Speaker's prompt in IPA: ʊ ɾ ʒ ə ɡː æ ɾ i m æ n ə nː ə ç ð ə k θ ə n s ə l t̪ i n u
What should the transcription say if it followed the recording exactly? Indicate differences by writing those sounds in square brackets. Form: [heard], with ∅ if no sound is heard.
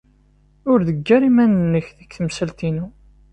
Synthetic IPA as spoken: ʊ ɾ [ð] ə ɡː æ ɾ i m æ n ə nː ə ç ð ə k θ ə [m] s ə l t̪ i n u